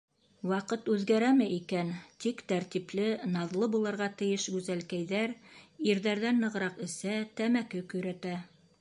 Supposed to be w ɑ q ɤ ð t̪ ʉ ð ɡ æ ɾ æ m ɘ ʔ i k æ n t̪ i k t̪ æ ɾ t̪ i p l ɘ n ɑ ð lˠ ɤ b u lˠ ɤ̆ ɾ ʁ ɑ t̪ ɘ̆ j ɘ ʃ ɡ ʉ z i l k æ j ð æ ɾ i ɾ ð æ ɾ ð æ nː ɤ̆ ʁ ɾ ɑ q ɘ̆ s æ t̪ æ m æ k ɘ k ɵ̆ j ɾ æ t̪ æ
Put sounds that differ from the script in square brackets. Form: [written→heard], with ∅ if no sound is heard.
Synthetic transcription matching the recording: w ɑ q ɤ [ð→∅] t̪ ʉ ð ɡ æ ɾ æ m ɘ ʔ i k æ n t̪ i k t̪ æ ɾ t̪ i p l ɘ n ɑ ð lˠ ɤ b u lˠ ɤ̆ ɾ ʁ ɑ t̪ ɘ̆ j ɘ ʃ ɡ ʉ z [i→æ] l k æ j ð æ ɾ i ɾ ð æ ɾ ð æ nː ɤ̆ ʁ ɾ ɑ q ɘ̆ s æ t̪ æ m æ k ɘ k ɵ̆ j ɾ æ t̪ æ